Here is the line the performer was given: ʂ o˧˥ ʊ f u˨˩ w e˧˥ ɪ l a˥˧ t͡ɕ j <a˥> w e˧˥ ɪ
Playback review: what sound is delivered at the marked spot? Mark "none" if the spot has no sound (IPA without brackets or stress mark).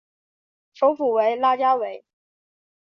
a˥